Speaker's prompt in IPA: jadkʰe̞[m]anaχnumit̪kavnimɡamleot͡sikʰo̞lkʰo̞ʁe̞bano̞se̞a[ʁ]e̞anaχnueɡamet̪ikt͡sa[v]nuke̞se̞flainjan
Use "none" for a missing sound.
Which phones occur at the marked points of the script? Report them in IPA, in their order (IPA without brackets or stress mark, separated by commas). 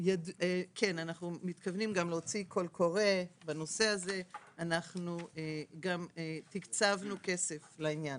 n, z, v